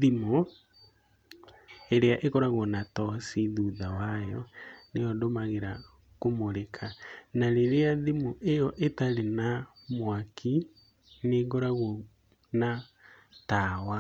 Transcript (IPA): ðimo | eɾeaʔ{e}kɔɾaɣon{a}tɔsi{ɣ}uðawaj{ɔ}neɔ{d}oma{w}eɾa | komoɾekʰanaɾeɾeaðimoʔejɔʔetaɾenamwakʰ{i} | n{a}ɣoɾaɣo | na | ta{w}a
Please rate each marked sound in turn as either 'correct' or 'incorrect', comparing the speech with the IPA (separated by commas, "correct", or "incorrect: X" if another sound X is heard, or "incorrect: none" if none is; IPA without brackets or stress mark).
correct, correct, incorrect: ð, correct, correct, incorrect: ɣ, correct, incorrect: e, correct